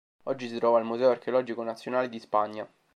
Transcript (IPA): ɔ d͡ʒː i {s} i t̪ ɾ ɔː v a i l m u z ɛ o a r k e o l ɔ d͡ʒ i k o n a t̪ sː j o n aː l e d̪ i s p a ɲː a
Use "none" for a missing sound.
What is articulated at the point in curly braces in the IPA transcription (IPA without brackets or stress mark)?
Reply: s